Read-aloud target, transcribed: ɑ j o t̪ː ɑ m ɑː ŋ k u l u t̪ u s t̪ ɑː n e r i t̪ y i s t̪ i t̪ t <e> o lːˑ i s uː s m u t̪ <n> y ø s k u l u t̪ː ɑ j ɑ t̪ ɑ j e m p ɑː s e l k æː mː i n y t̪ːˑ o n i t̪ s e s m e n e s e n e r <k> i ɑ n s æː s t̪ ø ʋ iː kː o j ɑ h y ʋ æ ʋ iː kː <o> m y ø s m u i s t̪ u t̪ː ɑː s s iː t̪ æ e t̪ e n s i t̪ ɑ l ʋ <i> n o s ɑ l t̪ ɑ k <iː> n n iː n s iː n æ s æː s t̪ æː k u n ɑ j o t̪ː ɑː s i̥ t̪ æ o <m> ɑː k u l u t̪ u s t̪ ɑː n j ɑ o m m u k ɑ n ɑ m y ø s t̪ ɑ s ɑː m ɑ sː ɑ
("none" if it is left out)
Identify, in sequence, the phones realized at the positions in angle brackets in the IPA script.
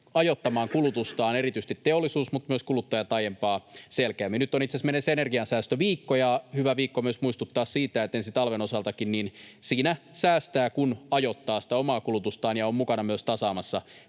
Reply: e, m, ɡ, o, e, i, m

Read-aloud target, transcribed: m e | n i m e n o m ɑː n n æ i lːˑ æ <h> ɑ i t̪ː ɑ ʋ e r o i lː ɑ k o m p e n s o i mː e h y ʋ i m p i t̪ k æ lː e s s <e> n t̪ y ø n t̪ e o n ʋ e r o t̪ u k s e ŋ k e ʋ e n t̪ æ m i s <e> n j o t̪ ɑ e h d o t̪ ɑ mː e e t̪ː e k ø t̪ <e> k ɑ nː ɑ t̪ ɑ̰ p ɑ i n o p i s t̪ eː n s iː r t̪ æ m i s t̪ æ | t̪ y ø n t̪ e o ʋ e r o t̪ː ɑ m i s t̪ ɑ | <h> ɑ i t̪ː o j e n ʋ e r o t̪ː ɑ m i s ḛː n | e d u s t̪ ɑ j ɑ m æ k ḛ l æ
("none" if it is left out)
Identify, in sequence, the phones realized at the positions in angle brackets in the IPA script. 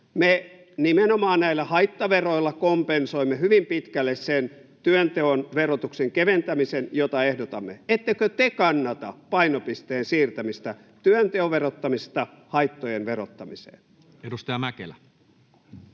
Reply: h, e, e, e, h

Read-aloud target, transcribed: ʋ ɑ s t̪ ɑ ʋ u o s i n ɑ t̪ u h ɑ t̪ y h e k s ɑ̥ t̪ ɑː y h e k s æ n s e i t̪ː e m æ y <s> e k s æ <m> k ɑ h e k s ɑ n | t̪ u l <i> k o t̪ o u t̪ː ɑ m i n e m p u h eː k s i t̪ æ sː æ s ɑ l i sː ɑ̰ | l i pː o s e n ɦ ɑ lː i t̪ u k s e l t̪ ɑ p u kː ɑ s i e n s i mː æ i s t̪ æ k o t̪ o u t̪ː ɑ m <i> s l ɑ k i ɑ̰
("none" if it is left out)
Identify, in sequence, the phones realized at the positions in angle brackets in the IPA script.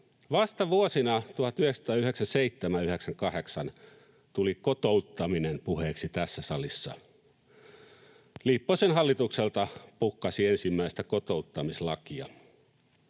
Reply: h, ŋ, i, i

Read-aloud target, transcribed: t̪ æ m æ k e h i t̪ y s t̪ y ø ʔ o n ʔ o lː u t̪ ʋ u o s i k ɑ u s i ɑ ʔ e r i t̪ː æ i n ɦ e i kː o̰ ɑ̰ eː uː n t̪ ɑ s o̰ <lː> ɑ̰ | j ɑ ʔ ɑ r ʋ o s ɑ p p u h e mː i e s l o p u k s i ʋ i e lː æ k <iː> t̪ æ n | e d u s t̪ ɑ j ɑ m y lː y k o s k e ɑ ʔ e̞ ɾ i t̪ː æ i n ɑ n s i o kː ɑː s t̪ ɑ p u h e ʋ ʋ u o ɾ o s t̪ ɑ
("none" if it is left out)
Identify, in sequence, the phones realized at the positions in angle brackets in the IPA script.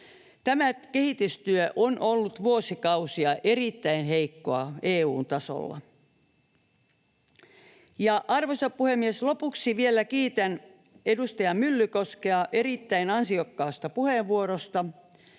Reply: lː, iː

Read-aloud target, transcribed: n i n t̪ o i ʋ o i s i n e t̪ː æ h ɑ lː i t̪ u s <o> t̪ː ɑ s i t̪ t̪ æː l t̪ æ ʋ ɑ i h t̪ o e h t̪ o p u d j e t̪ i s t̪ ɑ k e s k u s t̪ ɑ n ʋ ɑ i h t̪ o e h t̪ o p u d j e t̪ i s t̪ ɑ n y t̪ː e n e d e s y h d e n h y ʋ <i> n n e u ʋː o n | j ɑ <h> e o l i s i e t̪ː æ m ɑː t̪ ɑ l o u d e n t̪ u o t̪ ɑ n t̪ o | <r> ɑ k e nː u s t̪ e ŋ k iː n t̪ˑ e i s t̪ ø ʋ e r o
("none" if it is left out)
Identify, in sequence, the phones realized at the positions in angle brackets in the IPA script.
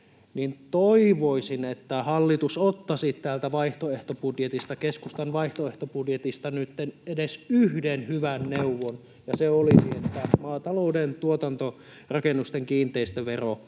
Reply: o, æ, s, r

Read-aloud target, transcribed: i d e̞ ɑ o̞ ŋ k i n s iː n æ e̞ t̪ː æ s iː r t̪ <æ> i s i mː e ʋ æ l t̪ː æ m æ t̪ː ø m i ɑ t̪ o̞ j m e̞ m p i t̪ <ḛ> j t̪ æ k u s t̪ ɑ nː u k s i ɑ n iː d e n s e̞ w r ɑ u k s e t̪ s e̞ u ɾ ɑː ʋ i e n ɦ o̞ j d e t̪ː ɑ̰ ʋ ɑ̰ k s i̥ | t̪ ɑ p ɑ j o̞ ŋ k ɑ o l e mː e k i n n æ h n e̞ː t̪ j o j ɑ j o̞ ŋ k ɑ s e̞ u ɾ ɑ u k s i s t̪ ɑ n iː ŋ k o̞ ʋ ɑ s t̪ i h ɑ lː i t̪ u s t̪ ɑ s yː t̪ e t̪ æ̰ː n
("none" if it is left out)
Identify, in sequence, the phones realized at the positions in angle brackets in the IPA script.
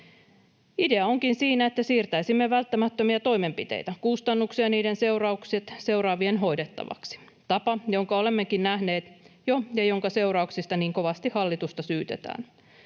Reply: æ, ḛ

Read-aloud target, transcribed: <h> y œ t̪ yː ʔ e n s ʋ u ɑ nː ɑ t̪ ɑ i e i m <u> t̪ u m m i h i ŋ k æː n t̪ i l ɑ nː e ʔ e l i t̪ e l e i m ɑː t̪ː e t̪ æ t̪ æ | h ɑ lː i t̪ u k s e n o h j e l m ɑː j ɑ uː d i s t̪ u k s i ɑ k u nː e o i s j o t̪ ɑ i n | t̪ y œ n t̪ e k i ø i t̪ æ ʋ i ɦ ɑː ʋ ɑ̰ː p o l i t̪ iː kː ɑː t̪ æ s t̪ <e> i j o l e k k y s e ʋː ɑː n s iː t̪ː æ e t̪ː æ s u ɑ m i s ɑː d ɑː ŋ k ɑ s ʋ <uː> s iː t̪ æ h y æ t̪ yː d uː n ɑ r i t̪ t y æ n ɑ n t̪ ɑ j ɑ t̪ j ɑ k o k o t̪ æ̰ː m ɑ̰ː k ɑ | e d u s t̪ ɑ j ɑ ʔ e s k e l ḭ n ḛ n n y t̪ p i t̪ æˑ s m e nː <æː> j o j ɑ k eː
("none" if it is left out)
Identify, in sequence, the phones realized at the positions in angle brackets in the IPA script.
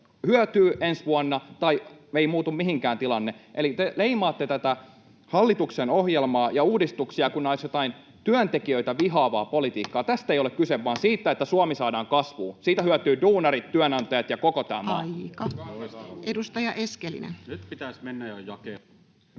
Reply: h, uː, e, uː, æ

